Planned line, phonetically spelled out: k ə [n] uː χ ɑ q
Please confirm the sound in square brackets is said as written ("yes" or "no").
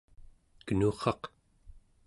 yes